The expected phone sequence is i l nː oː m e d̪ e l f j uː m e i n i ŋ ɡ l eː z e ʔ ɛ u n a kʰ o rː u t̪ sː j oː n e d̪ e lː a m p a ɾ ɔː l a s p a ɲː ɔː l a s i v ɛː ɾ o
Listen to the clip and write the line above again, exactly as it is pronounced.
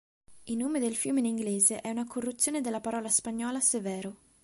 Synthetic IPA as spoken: i l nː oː m e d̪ e l f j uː m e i n i ŋ ɡ l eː z e ʔ ɛ u n a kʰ o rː u t̪ sː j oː n e d̪ e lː a p a ɾ ɔː l a s p a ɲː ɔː l a s e v ɛː ɾ o